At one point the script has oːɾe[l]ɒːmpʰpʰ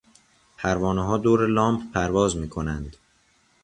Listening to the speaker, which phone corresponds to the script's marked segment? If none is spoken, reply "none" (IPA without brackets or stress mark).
l